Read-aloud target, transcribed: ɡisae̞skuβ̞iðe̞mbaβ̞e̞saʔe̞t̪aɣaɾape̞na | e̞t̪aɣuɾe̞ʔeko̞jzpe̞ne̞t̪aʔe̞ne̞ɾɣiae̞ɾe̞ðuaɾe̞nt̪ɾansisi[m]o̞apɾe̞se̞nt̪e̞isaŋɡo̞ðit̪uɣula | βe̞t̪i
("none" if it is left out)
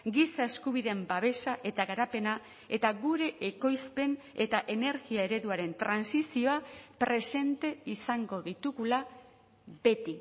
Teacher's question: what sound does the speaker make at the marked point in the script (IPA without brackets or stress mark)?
none